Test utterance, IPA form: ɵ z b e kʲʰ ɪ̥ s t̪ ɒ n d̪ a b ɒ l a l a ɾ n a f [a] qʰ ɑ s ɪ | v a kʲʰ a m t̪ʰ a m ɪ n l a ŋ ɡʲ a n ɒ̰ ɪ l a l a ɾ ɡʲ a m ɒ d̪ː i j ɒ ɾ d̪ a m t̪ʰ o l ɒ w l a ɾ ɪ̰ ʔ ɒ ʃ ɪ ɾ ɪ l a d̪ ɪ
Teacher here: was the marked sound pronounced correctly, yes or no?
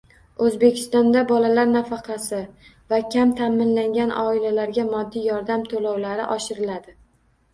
no